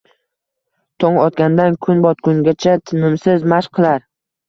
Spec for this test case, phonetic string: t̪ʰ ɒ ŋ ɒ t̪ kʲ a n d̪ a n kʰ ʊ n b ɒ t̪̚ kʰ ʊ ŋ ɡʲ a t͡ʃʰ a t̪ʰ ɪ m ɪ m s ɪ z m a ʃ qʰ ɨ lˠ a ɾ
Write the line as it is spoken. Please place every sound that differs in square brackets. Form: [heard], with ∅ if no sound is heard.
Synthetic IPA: t̪ʰ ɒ ŋ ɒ t̪ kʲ a n d̪ a n kʰ ʊ n b ɒ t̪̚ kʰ ʊ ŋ ɡʲ a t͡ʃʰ a t̪ʰ ɪ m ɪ m s ɪ z m a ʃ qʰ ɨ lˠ a ɾ